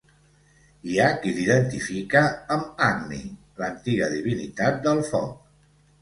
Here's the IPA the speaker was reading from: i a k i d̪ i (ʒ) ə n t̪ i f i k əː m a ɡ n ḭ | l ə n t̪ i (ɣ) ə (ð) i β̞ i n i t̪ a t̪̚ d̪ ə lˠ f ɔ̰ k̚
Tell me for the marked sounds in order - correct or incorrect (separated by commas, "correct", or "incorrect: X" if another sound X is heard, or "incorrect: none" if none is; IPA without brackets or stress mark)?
incorrect: ð, correct, correct